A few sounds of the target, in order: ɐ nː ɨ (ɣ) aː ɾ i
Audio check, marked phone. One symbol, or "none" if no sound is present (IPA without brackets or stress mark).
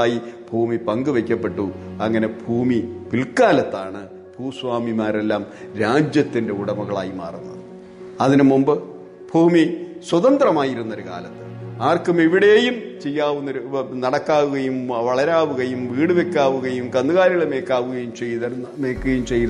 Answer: ɣ